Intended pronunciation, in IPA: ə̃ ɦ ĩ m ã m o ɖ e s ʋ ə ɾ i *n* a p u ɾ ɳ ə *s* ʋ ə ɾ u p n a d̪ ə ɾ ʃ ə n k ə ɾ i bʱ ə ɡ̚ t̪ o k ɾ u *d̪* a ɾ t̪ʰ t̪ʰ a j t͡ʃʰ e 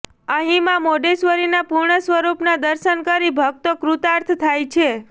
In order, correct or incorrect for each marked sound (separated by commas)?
correct, correct, incorrect